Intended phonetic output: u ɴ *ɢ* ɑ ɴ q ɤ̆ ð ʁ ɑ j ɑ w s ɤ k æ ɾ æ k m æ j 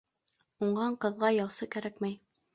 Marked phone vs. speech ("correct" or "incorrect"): correct